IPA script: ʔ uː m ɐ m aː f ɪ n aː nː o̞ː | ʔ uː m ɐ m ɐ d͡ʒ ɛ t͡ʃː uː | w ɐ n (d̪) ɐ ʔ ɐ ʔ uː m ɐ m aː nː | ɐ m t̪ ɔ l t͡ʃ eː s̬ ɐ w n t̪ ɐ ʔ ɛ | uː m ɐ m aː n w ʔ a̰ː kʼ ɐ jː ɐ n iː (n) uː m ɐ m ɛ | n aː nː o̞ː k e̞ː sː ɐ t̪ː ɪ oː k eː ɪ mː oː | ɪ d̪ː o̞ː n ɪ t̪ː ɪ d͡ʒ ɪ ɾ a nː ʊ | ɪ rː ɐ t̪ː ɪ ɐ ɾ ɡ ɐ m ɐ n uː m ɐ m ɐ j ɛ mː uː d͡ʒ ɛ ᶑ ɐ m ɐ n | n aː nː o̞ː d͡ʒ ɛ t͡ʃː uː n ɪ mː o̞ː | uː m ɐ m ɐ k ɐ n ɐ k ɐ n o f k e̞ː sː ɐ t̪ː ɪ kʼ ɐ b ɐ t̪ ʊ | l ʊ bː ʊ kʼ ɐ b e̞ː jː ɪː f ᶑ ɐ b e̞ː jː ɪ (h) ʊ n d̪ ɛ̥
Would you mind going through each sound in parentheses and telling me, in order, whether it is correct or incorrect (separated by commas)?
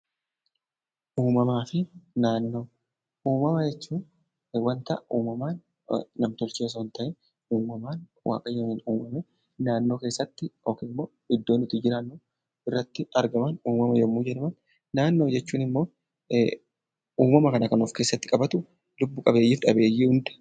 incorrect, correct, correct